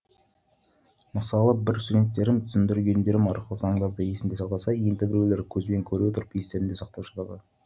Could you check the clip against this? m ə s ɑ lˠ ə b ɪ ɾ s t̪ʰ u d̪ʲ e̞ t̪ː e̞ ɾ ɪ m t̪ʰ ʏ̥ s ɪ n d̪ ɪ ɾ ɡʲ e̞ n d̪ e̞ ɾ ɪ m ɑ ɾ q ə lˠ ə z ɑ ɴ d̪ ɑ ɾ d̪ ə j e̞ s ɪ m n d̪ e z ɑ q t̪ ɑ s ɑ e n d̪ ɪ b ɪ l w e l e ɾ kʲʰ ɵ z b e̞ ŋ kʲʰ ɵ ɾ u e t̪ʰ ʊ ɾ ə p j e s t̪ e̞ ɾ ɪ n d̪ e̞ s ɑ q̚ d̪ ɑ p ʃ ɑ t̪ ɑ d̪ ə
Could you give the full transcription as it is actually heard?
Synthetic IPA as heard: m ə s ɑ lˠ ə b ɪ ɾ s t̪ u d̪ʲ e̞ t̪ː e̞ ɾ ɪ m t̪ʰ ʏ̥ s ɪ n d̪ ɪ ɾ ɡʲ e̞ n d̪ e̞ ɾ ɪ m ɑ ɾ q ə lˠ ə z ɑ ɴ d̪ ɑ ɾ d̪ ə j e̞ s ɪ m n d̪ e s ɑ q t̪ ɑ s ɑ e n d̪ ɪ b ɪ ɾ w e l e ɾ kʲʰ ɵ z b e̞ ŋ kʲʰ ɵ ɾ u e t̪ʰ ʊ ɾ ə p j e s t̪ e̞ ɾ ɪ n d̪ e̞ s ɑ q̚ t̪ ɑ p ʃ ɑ t̪ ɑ d̪ ə

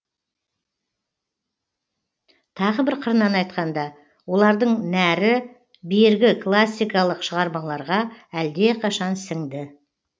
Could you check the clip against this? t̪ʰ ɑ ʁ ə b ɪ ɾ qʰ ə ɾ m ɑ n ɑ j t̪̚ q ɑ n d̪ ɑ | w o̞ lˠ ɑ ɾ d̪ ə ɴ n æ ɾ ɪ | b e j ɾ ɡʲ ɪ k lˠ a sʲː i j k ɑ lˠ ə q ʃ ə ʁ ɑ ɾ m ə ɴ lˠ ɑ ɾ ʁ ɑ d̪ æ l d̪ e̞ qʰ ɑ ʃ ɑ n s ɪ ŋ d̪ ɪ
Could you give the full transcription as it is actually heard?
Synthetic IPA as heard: t̪ʰ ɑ ʁ ə b ɪ ɾ qʰ ə ɾ n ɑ n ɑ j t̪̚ q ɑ n d̪ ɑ | w o̞ lˠ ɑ ɾ d̪ ə ɴ n æ ɾ ɪ | b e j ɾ ɡʲ ɪ k lˠ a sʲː i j k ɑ lˠ ə q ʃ ə ʁ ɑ ɾ m ɑ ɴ lˠ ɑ ɾ ʁ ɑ æ l d̪ e̞ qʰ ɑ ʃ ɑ n s ɪ ŋ d̪ ɪ

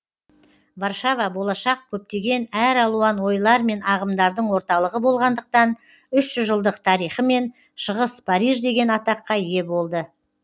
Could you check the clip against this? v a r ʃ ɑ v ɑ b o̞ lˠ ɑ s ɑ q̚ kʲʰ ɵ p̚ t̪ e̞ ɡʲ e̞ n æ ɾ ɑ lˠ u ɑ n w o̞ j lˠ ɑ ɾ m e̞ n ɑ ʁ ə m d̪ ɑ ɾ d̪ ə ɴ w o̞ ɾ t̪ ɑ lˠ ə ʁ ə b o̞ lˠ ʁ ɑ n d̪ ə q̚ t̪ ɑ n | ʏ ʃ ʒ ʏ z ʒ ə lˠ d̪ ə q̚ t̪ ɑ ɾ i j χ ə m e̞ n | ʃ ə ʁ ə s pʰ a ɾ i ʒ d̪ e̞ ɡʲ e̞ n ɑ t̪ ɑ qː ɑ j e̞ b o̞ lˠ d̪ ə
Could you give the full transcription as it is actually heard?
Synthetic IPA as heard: v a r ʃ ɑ v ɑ b o̞ lˠ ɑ ʃ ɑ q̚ kʲʰ ɵ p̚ t̪ e̞ ɡʲ e̞ n æ ɾ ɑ lˠ u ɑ n w o̞ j lˠ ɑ ɾ m e̞ n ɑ ʁ ə m d̪ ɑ ɾ d̪ ə ɴ w o̞ ɾ t̪ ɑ lˠ ə ʁ ə b o̞ lˠ ʁ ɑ n d̪ ə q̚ t̪ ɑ n | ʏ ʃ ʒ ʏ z ʒ ə lˠ d̪ ə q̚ t̪ʰ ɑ ɾ i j χ ə m e̞ n | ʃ ə ʁ ə s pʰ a ɾ i ʒ d̪ e̞ ɡʲ e̞ n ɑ t̪ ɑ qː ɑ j e̞ b o̞ lˠ d̪ ə

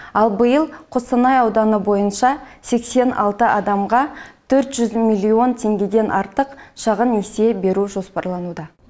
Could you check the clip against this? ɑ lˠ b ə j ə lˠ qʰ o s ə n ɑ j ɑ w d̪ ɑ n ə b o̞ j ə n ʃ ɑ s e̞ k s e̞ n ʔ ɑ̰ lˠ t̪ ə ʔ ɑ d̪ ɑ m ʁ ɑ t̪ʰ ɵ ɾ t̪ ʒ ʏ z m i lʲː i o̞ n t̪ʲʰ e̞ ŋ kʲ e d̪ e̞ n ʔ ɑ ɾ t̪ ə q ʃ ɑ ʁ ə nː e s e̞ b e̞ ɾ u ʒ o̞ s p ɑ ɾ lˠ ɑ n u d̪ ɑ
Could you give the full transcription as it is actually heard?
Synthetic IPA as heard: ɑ lˠ b ə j ə lˠ qʰ o s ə n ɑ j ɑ w d̪ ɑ n ə b o̞ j ə n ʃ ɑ s e̞ k s e̞ n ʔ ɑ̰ lˠ t̪ ə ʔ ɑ d̪ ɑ m ʁ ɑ t̪ʰ ɵ ɾ t̪ ʒ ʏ z m i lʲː i o̞ n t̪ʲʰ e̞ ŋ ɡʲ e d̪ e̞ n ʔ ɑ ɾ t̪ ə q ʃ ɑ ʁ ə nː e s e̞ b e̞ ɾ u ʒ o̞ s p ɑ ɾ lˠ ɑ n u d̪ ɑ

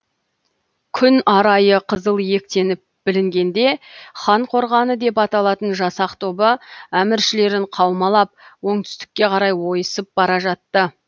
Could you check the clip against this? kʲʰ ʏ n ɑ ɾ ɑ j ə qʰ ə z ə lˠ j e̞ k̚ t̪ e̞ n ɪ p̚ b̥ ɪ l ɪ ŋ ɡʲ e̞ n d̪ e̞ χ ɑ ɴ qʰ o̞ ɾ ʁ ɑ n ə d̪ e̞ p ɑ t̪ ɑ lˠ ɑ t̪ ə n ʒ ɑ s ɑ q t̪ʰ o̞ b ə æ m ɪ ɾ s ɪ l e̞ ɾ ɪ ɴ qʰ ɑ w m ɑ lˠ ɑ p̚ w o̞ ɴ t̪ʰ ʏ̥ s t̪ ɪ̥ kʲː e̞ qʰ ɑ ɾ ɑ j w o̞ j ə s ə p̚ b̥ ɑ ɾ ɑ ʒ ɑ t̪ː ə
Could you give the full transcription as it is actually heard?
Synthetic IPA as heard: kʲʰ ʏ n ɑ ɾ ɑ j ə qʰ ə z ə lˠ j e̞ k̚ t̪ e̞ n ɪ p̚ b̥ ɪ l ɪ ŋ ɡʲ e̞ n d̪ e̞ χ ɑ ɴ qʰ o̞ ɾ ʁ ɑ n ə d̪ e̞ p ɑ t̪ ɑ lˠ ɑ t̪ ə n ʒ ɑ s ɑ q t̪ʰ o̞ b ə æ m ɪ ɾ ʃ ɪ l e̞ ɾ ɪ ɴ qʰ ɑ w m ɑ lˠ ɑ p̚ w o̞ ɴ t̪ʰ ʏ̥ s t̪ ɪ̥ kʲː e̞ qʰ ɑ ɾ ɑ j w o̞ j ə s ə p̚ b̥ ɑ ɾ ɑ ʒ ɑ t̪ː ə

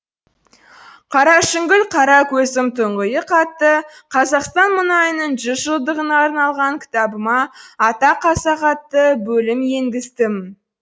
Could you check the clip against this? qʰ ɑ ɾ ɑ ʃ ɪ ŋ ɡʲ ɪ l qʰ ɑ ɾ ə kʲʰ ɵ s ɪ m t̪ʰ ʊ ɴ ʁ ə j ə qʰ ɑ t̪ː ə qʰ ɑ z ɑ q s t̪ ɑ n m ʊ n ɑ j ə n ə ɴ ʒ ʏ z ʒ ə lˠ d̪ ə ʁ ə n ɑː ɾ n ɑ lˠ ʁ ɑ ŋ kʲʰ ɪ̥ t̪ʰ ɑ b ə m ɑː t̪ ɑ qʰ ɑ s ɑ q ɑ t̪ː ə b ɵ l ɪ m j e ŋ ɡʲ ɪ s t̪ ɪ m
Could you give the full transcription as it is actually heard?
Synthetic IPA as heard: qʰ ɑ ɾ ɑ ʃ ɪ ŋ ɡʲ ɪ l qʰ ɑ ɾ ɑ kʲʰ ɵ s ɪ m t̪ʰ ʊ ɴ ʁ ə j ə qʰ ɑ t̪ː ə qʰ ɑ z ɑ q s t̪ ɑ n m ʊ n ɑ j ə n ə ɴ ʒ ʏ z ʒ ə lˠ d̪ ə ʁ ə n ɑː ɾ n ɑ lˠ ʁ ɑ ŋ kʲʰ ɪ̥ t̪ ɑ b ə m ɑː t̪ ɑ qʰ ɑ s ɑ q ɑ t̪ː ə b ɵ l ɪ m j e ŋ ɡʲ ɪ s t̪ ɪ m

